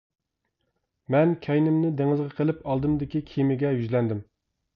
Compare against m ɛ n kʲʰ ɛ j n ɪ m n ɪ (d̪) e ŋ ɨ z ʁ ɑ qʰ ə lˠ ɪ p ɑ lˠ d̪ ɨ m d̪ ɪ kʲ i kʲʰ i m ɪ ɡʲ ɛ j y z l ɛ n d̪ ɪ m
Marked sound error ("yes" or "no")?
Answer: no